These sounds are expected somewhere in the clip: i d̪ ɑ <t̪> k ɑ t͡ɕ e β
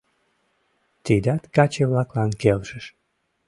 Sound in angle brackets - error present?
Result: no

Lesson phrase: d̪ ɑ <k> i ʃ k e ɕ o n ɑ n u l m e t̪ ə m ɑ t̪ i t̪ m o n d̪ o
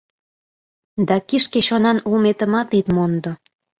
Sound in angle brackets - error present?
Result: no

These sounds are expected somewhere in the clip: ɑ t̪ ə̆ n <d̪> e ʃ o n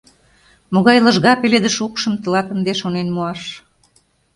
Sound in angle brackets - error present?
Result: no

